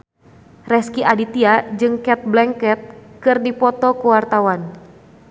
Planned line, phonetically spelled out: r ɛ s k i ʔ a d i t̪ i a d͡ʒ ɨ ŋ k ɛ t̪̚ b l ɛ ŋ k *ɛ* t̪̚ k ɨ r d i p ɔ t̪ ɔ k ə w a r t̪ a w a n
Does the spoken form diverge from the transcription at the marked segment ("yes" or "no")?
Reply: no